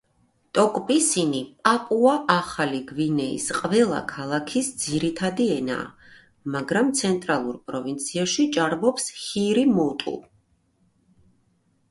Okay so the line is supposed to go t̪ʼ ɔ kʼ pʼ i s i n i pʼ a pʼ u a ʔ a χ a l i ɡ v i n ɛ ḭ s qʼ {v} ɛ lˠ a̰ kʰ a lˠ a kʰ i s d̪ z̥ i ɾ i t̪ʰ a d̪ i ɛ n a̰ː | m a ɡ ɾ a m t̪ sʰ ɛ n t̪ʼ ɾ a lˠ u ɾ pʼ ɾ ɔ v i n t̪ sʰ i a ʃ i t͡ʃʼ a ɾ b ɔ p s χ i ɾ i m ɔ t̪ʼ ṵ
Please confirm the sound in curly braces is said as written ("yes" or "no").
yes